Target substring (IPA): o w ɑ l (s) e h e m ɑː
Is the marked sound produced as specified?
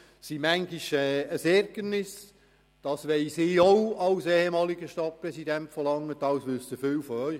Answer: yes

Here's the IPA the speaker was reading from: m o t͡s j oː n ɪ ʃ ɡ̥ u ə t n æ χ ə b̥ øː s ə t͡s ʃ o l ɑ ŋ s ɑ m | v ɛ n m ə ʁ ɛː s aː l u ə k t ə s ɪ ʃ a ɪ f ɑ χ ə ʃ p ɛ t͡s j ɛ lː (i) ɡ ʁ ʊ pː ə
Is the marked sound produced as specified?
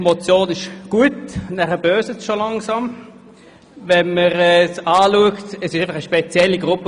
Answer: yes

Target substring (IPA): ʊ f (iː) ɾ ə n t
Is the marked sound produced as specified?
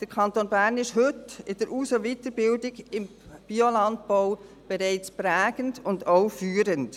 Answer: no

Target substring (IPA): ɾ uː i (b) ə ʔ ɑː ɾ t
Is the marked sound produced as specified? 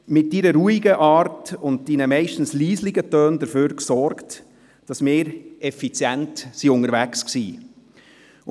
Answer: no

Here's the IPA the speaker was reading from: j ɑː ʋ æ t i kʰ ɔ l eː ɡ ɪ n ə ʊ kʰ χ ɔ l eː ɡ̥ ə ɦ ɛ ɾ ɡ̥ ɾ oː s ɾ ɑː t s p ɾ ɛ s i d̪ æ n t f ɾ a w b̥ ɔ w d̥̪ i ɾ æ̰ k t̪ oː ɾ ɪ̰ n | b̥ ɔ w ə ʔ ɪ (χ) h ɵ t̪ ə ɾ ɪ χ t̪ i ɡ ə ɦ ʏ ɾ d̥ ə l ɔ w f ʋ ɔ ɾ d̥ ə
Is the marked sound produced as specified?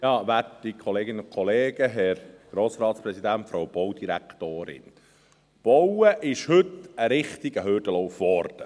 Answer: no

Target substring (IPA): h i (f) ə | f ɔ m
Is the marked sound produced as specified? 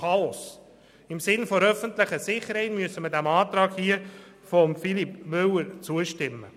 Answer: no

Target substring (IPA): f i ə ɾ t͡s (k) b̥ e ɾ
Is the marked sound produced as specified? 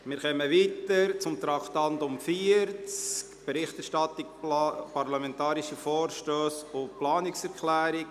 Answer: yes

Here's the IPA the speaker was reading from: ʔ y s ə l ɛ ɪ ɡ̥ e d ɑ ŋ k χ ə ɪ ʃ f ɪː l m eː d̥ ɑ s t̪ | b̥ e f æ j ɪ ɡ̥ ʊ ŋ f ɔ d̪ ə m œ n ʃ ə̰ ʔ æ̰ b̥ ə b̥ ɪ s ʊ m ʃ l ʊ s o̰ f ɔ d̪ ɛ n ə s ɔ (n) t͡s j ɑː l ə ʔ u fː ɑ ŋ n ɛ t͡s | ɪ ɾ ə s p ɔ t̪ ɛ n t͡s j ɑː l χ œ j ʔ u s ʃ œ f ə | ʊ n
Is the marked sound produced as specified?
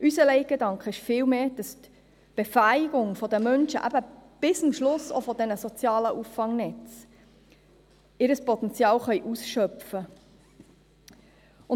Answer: no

